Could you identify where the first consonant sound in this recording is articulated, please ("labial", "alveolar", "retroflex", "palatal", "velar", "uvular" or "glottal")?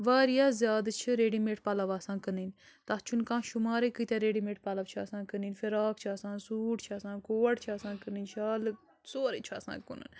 labial